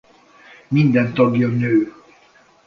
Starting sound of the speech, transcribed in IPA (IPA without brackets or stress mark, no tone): m